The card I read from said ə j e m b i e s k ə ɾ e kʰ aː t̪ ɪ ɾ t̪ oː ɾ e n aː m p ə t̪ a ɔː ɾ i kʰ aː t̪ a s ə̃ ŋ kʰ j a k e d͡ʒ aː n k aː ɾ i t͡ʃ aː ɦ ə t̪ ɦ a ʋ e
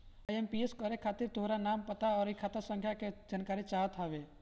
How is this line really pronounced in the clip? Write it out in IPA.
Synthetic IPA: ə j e m p i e s k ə ɾ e kʰ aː t̪ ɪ ɾ t̪ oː ɾ a n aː m p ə t̪ a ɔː ɾ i kʰ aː t̪ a s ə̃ ŋ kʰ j a k e d͡ʒ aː n k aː ɾ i t͡ʃ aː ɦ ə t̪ ɦ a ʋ e